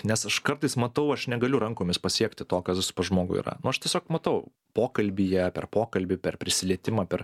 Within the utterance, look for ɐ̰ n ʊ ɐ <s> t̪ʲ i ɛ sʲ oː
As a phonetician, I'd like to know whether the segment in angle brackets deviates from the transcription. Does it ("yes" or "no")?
yes